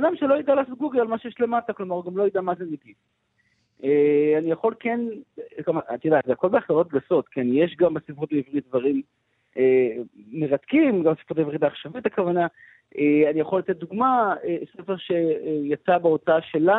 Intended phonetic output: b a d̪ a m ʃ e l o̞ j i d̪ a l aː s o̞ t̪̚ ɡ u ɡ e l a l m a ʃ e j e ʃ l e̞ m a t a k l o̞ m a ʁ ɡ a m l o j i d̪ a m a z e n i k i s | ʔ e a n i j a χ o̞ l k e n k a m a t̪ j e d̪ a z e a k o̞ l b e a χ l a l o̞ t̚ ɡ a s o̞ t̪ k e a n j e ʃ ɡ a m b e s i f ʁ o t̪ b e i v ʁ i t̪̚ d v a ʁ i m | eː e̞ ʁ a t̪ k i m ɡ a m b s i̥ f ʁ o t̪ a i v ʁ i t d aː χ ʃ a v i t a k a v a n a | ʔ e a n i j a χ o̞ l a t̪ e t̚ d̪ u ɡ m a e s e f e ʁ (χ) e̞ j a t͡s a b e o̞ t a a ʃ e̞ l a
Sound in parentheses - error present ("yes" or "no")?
yes